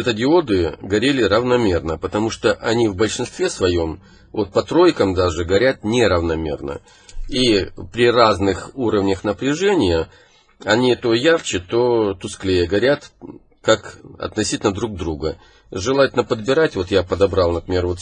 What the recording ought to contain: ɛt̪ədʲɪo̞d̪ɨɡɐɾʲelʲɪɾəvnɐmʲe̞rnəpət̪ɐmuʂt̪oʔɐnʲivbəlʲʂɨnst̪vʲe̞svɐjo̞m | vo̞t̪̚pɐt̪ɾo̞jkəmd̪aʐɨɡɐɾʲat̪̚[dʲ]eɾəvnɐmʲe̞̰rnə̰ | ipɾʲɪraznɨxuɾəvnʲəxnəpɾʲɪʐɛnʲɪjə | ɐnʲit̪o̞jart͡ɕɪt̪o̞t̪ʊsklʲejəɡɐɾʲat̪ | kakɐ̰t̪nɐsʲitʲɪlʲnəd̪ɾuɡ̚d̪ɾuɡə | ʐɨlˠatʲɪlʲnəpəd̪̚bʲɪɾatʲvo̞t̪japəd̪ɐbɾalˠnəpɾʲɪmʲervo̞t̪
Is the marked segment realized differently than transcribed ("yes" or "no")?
yes